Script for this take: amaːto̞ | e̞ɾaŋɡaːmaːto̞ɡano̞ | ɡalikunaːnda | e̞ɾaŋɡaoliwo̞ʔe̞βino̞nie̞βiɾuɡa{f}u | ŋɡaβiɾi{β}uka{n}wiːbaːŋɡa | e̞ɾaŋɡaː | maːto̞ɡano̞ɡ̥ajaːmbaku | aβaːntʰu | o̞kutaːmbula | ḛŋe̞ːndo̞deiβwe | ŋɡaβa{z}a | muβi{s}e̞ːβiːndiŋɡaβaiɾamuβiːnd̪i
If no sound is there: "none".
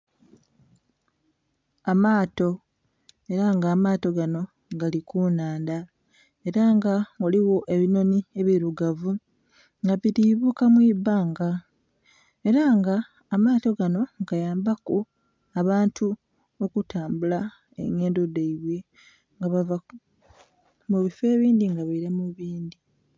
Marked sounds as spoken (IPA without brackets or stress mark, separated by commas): v, β, m, v, f